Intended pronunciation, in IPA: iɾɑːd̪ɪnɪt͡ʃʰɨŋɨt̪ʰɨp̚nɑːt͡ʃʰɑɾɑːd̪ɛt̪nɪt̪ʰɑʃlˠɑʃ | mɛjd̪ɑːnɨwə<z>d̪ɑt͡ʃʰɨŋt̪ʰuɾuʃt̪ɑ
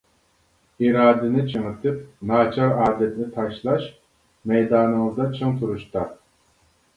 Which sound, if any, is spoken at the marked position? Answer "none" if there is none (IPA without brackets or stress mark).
z